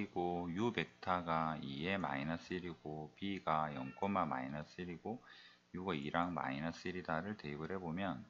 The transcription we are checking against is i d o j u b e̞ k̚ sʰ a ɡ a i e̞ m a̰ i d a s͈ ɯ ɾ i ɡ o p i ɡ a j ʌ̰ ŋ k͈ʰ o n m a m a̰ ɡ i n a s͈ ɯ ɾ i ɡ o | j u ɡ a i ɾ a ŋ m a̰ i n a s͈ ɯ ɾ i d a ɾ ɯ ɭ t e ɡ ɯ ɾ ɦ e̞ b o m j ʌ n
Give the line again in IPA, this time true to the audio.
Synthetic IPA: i ɡ o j u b e̞ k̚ tʰ a ɡ a i e̞ m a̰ i n a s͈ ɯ ɾ i ɡ o p i ɡ a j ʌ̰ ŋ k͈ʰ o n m a m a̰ i n a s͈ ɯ ɾ i ɡ o | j u ɡ a i ɾ a ŋ m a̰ i n a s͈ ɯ ɾ i d a ɾ ɯ ɭ t e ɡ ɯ ɾ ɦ e̞ b o m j ʌ n

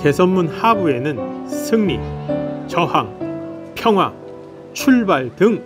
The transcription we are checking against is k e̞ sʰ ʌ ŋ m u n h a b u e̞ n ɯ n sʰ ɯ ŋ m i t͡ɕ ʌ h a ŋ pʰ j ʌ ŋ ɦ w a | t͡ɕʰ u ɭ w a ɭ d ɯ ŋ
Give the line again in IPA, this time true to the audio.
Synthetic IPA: k e̞ sʰ ʌ n m u n h a b u e̞ n ɯ n sʰ ɯ ŋ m i t͡ɕ ʌ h a ŋ pʰ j ʌ ŋ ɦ w a | t͡ɕʰ u ɭ b a ɭ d ɯ ŋ

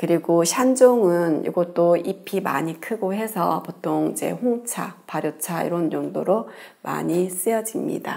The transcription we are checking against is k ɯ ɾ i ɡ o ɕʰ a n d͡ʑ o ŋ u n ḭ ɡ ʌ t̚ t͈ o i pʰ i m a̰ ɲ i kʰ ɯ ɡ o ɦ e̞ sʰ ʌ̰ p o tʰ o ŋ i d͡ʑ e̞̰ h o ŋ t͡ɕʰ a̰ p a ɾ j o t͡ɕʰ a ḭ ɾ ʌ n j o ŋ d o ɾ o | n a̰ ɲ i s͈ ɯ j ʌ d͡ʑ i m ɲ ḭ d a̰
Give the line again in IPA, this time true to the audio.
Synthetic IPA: k ɯ ɾ i ɡ o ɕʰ a n d͡ʑ o ŋ ɯ n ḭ ɡ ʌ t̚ t͈ o i pʰ i m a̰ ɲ i kʰ ɯ ɡ o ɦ e̞ sʰ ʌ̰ p o tʰ o ŋ i d͡ʑ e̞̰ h o ŋ t͡ɕʰ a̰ p a ɾ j o t͡ɕʰ a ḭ ɾ ʌ n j o ŋ d o ɾ o | m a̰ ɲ i s͈ ɯ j ʌ d͡ʑ i m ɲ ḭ d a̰

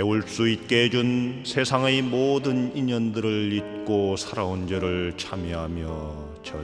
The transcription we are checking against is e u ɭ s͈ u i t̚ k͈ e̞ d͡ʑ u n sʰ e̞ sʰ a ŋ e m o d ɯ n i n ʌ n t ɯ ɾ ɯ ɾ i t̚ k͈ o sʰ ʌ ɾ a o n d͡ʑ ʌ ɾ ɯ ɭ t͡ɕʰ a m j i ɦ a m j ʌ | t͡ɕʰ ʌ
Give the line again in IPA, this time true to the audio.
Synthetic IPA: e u ɭ s͈ u i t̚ k͈ e̞ d͡ʑ u n sʰ e̞ sʰ a ŋ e m o d ɯ n i ɲ ʌ n d ɯ ɾ ɯ ɭ i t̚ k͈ o sʰ a ɾ a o n d͡ʑ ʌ ɾ ɯ ɭ t͡ɕʰ a m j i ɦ a m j ʌ | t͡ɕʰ ʌ

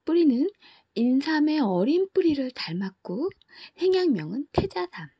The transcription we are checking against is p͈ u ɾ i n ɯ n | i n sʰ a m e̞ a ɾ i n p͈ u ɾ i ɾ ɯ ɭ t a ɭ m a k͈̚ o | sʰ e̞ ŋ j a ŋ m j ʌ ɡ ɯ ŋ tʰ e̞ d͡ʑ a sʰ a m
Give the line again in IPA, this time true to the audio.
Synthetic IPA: p͈ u ɾ i n ɯ n | i n sʰ a m e̞ ʌ ɾ i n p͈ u ɾ i ɾ ɯ ɭ t a ɭ m a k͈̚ o | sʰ e̞ ŋ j a ŋ m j ʌ ŋ ɯ n tʰ e̞ d͡ʑ a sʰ a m

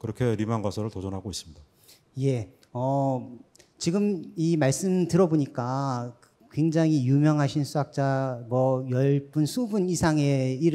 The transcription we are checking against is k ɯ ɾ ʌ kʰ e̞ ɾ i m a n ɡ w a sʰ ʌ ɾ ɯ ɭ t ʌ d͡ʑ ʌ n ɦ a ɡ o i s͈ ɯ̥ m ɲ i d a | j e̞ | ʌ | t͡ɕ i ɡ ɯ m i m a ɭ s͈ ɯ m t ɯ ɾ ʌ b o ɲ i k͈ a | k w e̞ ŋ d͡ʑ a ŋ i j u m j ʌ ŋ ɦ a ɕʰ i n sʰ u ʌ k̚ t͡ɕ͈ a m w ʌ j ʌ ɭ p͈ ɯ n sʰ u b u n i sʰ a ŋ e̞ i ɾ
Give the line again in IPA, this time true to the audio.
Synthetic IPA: k ɯ ɾ ʌ kʰ e̞ ɾ i m a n ɡ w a sʰ ʌ ɾ ɯ ɭ t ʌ d͡ʑ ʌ n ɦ a ɡ o i s͈ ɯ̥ m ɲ i d a | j e̞ | ʌ | t͡ɕ i ɡ ɯ m i m a ɭ s͈ ɯ m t ɯ ɾ ʌ b o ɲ i k͈ a | k w e̞ ŋ d͡ʑ a ŋ i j u m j ʌ ŋ ɦ a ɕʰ i n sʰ u a k̚ t͡ɕ͈ a m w ʌ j ʌ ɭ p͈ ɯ n sʰ u b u n i sʰ a ŋ e̞ i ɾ

